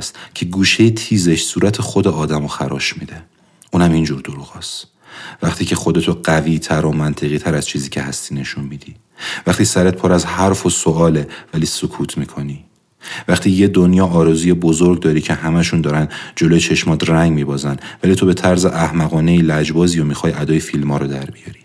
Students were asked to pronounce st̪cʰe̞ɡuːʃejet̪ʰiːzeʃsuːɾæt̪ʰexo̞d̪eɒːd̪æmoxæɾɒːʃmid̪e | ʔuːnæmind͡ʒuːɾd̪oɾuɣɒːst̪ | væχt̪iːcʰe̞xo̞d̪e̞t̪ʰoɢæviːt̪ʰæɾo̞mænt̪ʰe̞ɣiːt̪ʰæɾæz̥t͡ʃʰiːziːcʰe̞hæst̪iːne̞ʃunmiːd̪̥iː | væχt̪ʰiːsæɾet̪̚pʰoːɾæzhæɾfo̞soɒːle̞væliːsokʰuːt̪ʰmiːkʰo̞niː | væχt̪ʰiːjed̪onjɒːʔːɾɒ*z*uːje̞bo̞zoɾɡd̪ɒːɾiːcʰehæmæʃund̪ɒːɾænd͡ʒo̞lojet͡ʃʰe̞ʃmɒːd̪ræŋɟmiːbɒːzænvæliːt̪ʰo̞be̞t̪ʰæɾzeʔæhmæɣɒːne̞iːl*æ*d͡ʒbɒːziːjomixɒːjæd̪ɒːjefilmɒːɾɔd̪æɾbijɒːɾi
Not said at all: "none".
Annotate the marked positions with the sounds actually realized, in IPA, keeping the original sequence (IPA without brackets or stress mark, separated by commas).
z, æ